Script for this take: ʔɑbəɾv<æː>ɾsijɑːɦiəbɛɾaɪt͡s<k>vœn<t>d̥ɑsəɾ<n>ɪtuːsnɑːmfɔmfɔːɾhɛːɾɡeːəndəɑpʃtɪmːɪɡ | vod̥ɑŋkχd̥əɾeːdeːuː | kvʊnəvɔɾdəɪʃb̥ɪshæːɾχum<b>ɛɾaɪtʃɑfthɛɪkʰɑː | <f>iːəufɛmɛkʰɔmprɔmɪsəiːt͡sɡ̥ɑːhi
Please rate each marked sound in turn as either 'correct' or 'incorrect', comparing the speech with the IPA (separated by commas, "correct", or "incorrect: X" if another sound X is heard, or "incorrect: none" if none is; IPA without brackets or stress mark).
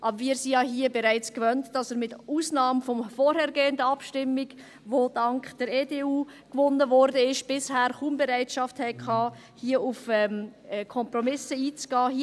incorrect: iː, correct, correct, incorrect: m, correct, incorrect: h